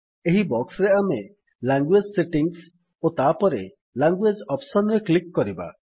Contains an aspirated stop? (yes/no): no